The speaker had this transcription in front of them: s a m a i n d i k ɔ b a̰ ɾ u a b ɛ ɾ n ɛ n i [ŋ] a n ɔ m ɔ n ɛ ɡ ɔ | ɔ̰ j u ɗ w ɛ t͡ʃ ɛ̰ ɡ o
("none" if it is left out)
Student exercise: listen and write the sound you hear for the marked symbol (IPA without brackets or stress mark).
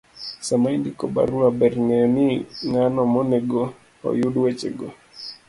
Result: ŋ